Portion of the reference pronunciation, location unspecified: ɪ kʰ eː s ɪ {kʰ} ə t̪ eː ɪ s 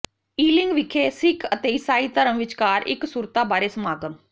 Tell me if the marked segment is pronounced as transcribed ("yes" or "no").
yes